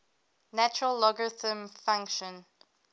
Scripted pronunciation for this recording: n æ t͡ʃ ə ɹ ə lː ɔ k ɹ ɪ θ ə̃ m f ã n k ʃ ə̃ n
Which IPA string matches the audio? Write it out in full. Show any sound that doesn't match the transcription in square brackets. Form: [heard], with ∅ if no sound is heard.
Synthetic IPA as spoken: n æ t͡ʃ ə ɹ ə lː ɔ [ɡ] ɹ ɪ θ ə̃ m f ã [ŋ] k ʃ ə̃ n